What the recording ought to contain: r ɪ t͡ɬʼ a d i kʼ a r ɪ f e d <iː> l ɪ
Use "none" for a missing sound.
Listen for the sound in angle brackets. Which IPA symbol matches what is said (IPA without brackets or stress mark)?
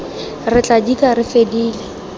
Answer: iː